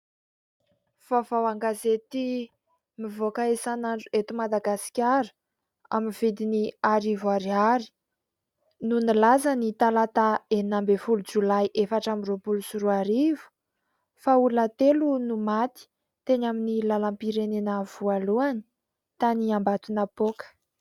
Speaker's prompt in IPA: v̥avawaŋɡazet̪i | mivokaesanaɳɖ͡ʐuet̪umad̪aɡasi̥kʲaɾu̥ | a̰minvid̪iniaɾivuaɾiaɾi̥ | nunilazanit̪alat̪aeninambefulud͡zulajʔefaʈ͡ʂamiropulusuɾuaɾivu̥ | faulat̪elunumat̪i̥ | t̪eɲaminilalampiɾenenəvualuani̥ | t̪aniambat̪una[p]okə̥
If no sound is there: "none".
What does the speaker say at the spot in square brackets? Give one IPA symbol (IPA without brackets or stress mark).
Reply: p